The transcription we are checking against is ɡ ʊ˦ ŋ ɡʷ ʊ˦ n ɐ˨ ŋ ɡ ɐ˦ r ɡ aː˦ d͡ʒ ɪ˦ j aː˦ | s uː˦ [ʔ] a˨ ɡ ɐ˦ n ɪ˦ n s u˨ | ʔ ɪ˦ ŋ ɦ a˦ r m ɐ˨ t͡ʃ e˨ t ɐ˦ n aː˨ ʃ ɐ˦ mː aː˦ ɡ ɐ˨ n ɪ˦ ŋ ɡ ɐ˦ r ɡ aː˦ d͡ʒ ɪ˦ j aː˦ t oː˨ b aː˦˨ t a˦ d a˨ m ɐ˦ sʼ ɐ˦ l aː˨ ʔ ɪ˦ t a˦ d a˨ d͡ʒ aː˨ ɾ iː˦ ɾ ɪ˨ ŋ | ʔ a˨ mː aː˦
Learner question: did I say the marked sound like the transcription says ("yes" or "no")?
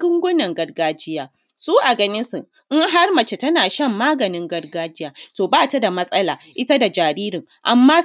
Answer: yes